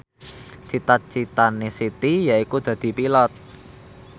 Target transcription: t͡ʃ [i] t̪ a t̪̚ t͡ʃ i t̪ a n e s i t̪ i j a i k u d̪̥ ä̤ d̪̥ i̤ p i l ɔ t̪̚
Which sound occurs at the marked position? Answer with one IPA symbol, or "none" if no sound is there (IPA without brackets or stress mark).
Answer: i